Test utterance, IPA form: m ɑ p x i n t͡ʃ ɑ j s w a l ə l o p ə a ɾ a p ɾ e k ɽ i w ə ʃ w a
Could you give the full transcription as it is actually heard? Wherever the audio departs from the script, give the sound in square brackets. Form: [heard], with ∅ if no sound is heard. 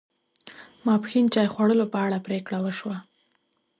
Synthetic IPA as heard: m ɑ p x i n t͡ʃ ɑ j [x] w a [ɽ] ə l o p ə a [ɽ] a p ɾ e k ɽ [a] w ə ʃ w a